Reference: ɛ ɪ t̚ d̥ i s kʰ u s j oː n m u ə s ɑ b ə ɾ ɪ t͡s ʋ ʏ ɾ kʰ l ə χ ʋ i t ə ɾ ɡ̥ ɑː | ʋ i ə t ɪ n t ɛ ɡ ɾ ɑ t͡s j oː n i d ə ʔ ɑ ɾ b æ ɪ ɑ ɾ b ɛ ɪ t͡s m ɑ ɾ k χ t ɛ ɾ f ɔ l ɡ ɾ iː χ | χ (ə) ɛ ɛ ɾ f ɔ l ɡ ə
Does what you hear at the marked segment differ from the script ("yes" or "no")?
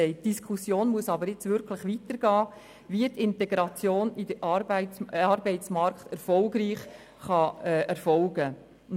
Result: yes